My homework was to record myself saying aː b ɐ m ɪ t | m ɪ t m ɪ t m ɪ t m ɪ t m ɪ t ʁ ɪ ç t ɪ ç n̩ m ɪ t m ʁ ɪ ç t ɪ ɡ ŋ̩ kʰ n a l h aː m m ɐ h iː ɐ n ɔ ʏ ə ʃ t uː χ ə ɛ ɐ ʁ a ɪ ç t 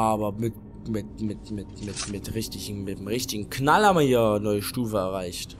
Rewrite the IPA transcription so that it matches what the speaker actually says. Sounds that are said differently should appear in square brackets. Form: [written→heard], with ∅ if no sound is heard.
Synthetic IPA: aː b ɐ m ɪ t | m ɪ t m ɪ t m ɪ t m ɪ t m ɪ t ʁ ɪ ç t ɪ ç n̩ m ɪ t m ʁ ɪ ç t ɪ ɡ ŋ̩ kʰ n a l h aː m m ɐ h iː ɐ n ɔ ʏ ə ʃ t uː [χ→f] ə ɛ ɐ ʁ a ɪ ç t

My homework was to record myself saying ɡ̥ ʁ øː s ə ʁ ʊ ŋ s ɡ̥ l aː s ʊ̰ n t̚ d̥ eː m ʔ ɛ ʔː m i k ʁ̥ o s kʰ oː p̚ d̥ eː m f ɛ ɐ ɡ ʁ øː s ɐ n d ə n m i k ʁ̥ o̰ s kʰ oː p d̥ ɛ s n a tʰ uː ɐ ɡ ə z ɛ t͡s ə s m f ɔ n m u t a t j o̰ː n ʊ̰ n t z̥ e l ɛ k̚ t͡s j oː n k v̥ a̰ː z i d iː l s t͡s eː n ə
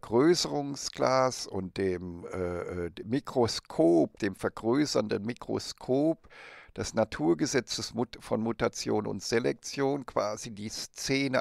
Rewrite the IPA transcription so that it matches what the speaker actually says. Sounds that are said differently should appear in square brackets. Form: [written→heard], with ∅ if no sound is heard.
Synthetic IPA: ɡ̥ ʁ øː s ə ʁ ʊ ŋ s ɡ̥ l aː s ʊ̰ n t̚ d̥ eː m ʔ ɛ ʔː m i k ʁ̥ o s kʰ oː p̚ d̥ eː m f ɛ ɐ ɡ ʁ øː s ɐ n d ə n m i k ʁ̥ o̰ s kʰ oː p d̥ ɛ s n a tʰ uː ɐ ɡ ə z ɛ t͡s ə s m f ɔ n m u t a [t→t͡s] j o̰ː n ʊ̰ n t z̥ e l ɛ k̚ t͡s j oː n k v̥ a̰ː z i d iː [l→∅] s t͡s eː n ə

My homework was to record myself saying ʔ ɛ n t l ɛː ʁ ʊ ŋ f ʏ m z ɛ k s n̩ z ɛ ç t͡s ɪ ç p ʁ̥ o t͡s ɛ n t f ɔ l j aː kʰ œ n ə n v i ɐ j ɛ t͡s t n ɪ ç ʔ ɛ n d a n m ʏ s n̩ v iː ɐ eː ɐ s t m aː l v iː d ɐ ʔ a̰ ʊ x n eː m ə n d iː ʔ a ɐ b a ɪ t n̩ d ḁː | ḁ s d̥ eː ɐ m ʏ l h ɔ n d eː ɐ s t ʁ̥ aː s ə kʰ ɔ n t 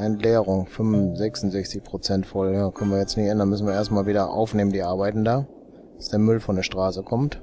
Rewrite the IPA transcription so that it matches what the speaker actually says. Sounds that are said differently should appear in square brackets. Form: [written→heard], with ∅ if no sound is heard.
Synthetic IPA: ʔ ɛ n t l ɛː ʁ ʊ ŋ f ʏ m z ɛ k s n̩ z ɛ ç t͡s ɪ ç p ʁ̥ o t͡s ɛ n t f ɔ l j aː kʰ œ n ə n v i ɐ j ɛ t͡s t n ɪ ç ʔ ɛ n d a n m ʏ s n̩ v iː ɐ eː ɐ s t m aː l v iː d ɐ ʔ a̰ ʊ [x→f] n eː m ə n d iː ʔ a ɐ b a ɪ t n̩ d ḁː | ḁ s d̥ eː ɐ m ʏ l [h→f] ɔ n d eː ɐ [s→ʃ] t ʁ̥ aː s ə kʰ ɔ [n→m] t

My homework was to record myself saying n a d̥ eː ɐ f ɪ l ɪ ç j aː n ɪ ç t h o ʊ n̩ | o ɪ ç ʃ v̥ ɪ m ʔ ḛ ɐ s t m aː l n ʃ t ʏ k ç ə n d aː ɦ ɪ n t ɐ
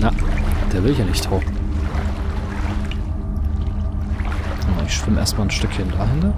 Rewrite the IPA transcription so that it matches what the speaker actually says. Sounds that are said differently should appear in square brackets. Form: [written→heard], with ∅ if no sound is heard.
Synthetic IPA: n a d̥ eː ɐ [f→v] ɪ l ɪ ç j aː n ɪ ç t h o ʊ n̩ | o ɪ ç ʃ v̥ ɪ m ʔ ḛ ɐ s t m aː l n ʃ t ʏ k ç ə n d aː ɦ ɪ n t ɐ

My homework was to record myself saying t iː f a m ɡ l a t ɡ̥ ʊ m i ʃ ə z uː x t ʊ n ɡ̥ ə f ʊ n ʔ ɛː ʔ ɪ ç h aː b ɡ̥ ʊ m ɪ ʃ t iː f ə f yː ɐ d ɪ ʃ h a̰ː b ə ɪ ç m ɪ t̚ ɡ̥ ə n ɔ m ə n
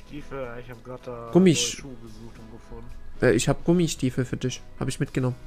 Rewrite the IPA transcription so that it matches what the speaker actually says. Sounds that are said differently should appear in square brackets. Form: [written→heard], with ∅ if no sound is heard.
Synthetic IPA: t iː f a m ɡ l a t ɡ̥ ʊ m i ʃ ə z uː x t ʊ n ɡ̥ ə f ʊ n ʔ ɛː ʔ ɪ ç h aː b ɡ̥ ʊ m [ɪ→i] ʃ t iː f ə f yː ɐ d ɪ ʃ h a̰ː b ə ɪ ç m ɪ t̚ ɡ̥ ə n ɔ m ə n

